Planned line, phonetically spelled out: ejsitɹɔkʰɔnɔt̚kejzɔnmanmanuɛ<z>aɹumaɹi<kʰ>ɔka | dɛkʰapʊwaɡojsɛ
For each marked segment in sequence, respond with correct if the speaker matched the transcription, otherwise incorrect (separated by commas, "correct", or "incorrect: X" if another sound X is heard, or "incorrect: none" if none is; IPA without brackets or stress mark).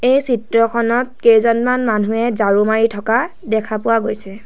correct, incorrect: tʰ